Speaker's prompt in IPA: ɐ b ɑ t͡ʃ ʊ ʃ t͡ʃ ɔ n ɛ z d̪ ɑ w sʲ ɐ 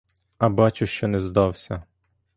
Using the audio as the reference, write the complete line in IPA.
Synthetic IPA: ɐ b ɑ t͡ʃ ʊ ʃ t͡ʃ ɔ n ɛ z d̪ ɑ w sʲ ɐ